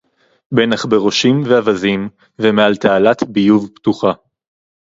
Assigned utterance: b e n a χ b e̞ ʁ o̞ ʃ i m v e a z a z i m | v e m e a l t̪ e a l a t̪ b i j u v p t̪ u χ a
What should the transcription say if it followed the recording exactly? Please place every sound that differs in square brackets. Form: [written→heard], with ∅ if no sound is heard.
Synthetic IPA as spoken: b e n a χ b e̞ ʁ o̞ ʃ i m v e a [z→v] a z i m | v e m e a l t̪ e a l a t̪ b i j u v p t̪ u χ a

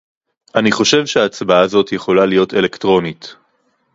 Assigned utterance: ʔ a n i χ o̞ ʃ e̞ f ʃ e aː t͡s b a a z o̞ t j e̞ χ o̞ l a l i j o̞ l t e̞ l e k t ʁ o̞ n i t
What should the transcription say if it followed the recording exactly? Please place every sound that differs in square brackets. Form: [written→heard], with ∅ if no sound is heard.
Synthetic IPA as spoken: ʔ a n i χ o̞ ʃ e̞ [f→v] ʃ e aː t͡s b a a z o̞ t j e̞ χ o̞ l a l i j o̞ [l→∅] t e̞ l e k t ʁ o̞ n i t

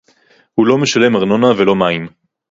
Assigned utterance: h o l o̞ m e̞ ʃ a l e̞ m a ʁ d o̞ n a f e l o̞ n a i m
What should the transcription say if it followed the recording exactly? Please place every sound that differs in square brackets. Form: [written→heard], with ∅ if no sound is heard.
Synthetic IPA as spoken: h [o→u] l o̞ m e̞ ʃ a l e̞ m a ʁ [d→n] o̞ n a [f→v] e l o̞ [n→m] a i m

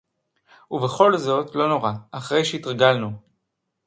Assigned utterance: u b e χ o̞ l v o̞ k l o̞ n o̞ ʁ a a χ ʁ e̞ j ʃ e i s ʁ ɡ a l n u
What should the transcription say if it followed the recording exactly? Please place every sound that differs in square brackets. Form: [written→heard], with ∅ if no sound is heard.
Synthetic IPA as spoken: u [b→v] e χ o̞ l [v→z] o̞ [k→t] l o̞ n o̞ ʁ a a χ ʁ e̞ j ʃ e i [s→t] ʁ ɡ a l n u

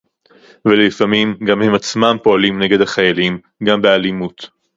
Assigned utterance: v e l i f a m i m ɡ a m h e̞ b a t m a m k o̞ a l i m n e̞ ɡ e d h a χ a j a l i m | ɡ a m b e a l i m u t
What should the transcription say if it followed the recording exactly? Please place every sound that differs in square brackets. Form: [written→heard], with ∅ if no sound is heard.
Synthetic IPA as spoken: v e l i f a m i m ɡ a m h e̞ [b→m] a [t→t͡s] m a m [k→p] o̞ a l i m n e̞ ɡ e d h a χ a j a l i m | ɡ a m b e a l i m u t

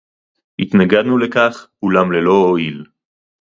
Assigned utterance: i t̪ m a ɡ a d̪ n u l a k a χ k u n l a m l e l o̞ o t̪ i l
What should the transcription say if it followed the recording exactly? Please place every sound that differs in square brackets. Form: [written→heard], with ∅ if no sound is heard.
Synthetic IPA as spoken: i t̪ [m→n] a ɡ a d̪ n u l [a→e] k a χ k u [n→∅] l a m l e l o̞ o [t̪→∅] i l

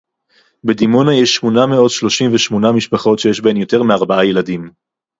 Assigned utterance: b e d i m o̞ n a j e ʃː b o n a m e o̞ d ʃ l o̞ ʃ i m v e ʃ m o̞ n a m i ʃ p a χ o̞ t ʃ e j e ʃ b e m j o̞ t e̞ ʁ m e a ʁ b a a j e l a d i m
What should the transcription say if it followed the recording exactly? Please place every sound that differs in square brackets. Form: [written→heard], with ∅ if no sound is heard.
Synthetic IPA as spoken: b e d i m o̞ n a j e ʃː [b→m] o n a m e o̞ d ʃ l o̞ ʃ i m v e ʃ m o̞ n a m i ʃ p a χ o̞ t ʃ e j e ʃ b e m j o̞ t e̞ ʁ m e a ʁ b a a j e l a d i m

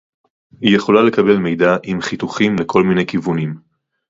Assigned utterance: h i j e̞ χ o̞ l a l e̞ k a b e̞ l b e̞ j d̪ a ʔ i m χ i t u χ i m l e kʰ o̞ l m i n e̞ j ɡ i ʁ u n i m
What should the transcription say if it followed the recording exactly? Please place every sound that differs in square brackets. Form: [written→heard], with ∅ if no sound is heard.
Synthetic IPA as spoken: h i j e̞ χ o̞ l a l e̞ k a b e̞ l [b→m] e̞ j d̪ a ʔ i m χ i t u χ i m l e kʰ o̞ l m i n e̞ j [ɡ→k] i [ʁ→v] u n i m

